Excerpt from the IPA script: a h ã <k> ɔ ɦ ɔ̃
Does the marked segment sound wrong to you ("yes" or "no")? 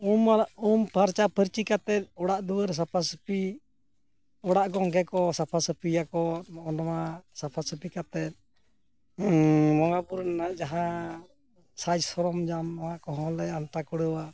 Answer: no